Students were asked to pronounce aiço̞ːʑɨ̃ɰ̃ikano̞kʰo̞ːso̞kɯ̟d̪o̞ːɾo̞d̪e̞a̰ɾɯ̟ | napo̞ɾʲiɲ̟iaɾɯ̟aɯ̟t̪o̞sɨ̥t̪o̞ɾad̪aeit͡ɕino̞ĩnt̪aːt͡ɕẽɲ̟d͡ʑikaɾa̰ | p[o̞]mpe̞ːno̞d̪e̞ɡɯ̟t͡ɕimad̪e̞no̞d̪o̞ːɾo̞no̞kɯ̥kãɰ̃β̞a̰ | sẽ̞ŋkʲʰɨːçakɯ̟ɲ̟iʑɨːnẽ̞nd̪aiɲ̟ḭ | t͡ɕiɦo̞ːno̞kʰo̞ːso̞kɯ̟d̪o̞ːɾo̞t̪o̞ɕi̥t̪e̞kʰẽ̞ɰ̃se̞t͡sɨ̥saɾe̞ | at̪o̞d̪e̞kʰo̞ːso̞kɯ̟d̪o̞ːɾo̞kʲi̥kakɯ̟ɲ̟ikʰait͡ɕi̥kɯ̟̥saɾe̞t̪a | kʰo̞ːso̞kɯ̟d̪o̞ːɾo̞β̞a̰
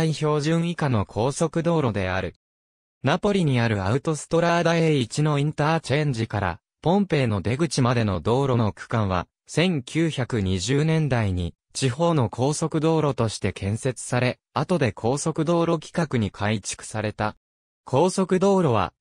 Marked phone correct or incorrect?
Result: incorrect